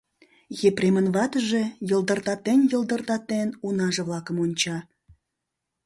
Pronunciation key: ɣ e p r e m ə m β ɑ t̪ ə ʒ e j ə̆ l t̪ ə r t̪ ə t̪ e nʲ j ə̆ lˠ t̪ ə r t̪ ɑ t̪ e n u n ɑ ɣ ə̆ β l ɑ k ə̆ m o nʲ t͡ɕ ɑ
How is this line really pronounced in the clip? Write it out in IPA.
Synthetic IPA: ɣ e p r e m ə n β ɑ t̪ ə ʒ e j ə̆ l d̪ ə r t̪ ɑ t̪ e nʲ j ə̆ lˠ d̪ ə r t̪ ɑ t̪ e n u n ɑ ʒ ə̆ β l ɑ k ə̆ m o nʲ t͡ɕ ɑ

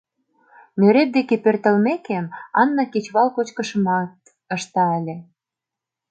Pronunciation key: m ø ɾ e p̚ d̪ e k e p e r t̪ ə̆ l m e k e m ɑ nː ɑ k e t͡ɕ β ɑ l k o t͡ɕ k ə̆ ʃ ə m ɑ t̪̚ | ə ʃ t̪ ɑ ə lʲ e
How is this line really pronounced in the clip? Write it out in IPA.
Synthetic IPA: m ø ɾ e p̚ d̪ e k e p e r t̪ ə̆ l m e k e m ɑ nː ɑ k e t͡ɕ β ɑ l k o t͡ɕ k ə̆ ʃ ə m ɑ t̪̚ | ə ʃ t̪ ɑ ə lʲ e

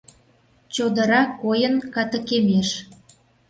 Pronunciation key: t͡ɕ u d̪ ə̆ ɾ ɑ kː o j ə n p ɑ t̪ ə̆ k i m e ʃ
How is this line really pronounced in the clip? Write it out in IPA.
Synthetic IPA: t͡ɕ o d̪ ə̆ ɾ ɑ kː o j ə n k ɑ t̪ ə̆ k e m e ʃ

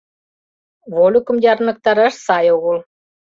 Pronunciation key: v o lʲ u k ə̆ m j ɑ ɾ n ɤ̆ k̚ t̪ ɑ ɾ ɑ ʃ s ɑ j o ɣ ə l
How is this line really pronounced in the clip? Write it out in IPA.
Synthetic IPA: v o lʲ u k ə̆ m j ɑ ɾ n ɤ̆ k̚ t̪ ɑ ɾ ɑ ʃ s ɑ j o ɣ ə l

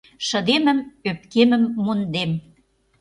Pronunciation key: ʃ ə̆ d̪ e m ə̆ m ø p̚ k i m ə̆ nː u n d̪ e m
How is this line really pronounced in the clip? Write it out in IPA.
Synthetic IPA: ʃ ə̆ d̪ e m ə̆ m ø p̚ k e m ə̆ mː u n d̪ e m

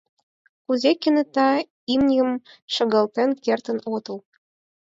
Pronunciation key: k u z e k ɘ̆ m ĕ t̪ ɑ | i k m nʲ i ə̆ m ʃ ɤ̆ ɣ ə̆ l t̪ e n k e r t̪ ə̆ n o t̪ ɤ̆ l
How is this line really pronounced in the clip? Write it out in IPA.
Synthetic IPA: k u z e k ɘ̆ n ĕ t̪ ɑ | i m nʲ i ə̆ m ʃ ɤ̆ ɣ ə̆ l t̪ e n k e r t̪ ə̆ n o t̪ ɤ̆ l

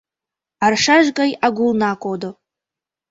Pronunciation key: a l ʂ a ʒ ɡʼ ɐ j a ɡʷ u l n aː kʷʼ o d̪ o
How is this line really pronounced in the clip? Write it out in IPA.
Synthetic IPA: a r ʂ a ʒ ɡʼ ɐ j a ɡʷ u l n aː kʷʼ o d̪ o

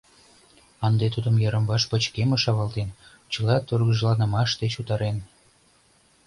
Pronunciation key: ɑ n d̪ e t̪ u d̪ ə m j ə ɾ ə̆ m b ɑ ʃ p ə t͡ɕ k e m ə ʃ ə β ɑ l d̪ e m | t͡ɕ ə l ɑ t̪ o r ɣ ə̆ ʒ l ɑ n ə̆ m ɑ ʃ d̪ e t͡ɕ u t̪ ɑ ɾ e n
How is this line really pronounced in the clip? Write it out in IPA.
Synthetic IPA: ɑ n d̪ e t̪ u d̪ ə m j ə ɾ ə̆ m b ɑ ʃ p ə t͡ɕ k e m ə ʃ ɑ β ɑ l t̪ e n | t͡ɕ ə l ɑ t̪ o r ɣ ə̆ ʒ l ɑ n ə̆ m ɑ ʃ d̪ e t͡ɕ u t̪ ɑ ɾ e n

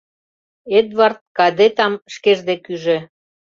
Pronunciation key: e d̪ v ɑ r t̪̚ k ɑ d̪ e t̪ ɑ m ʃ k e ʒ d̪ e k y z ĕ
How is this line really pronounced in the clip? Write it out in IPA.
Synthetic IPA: e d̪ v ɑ r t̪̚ k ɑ d̪ e t̪ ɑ m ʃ k e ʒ d̪ e k y ʒ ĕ

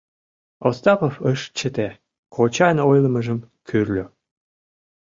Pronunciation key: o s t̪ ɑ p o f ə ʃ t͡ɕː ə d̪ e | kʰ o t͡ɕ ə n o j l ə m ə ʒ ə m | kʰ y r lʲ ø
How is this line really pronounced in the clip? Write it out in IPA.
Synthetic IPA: o s t̪ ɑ p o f ə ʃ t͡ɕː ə t̪ e | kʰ o t͡ɕ ɑ n o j l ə m ə ʒ ə m | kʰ y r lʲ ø

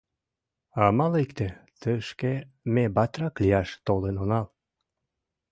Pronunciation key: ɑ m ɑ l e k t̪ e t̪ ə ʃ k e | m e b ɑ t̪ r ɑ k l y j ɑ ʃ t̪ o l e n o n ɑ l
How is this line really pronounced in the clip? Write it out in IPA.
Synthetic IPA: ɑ m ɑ l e k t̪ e t̪ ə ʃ k e | m e b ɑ t̪ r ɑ k l i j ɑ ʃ t̪ o l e n o n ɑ l

